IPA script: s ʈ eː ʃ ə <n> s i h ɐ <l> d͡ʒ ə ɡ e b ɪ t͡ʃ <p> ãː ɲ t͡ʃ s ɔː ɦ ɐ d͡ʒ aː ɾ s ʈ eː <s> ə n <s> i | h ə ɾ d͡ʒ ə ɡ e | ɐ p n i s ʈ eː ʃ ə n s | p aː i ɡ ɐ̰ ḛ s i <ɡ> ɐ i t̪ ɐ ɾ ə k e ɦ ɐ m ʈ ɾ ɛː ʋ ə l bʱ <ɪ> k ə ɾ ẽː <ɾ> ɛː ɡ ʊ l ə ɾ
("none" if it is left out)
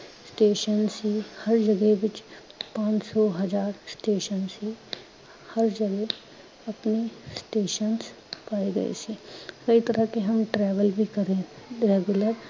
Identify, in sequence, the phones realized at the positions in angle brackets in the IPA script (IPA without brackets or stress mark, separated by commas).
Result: n, ɾ, p, ʃ, s, k, i, ɾ